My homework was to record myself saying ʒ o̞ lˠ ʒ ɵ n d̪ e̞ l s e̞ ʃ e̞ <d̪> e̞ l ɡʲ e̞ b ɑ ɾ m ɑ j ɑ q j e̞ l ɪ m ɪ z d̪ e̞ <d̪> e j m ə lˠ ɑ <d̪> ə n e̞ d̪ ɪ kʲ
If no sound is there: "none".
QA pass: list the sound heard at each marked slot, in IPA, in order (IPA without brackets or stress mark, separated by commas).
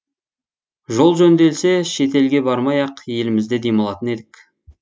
t̪, d̪, t̪